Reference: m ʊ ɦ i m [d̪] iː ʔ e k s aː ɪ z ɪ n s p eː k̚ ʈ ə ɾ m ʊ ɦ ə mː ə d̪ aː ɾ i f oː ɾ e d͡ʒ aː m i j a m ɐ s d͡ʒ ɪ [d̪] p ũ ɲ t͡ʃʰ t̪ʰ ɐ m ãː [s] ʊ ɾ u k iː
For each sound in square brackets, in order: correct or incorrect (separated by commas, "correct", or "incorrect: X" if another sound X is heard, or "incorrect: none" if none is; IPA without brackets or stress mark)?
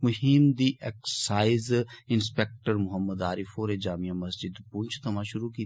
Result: correct, correct, incorrect: ʃ